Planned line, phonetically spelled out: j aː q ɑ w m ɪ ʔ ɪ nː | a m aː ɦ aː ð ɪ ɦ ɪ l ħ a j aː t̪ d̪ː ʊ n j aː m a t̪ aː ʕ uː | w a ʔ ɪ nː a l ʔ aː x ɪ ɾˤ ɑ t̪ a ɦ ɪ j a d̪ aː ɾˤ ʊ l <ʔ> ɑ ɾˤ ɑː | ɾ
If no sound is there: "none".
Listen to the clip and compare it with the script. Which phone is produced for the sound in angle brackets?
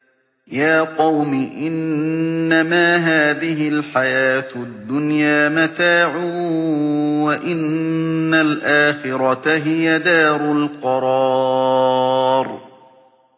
q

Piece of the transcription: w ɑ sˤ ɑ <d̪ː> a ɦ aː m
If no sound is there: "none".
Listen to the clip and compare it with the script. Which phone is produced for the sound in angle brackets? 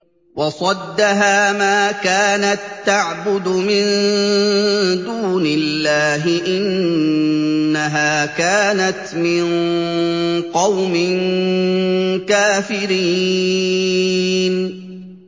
d̪ː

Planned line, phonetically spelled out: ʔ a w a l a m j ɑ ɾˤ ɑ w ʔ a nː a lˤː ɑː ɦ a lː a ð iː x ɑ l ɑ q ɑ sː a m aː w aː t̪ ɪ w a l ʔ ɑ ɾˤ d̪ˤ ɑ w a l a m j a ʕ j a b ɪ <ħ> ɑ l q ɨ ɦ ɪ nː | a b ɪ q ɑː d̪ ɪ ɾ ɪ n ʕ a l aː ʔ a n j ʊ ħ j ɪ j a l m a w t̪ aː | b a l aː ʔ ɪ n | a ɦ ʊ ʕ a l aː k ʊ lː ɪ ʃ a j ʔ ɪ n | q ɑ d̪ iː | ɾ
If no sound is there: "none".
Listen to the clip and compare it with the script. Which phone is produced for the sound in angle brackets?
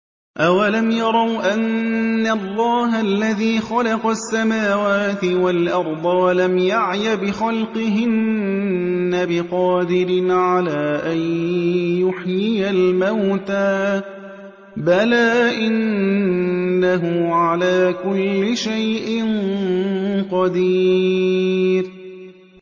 x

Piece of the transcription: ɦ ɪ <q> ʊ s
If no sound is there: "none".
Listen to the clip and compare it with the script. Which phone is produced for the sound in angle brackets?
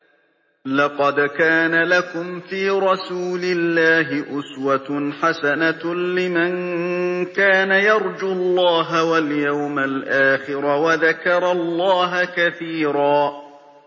ʔ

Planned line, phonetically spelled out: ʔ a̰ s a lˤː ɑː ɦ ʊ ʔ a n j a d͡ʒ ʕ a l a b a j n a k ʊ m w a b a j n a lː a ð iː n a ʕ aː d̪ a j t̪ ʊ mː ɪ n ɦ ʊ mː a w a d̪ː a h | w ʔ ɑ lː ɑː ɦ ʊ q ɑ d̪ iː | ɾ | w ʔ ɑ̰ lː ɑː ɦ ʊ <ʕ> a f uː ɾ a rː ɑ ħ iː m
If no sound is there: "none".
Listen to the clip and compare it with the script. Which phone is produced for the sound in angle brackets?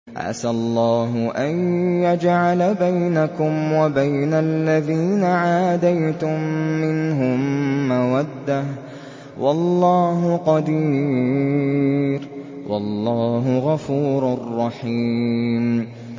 ɣ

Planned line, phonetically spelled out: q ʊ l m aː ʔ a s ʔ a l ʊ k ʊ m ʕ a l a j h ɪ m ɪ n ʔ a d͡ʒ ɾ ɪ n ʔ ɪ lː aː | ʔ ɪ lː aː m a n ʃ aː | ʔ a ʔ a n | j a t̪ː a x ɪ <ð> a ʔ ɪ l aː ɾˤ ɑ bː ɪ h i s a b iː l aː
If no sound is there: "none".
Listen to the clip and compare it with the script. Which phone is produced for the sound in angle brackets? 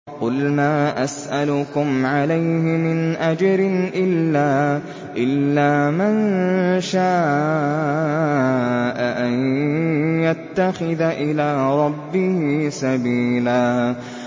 ð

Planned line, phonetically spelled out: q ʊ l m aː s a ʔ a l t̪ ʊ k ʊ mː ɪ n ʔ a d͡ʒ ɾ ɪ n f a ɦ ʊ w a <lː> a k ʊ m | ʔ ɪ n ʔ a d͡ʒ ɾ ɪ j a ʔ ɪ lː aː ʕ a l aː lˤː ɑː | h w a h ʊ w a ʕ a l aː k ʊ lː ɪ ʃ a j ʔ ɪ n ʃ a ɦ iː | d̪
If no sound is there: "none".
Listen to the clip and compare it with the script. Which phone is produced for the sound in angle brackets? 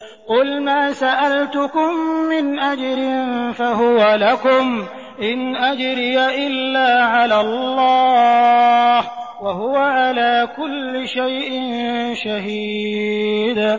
l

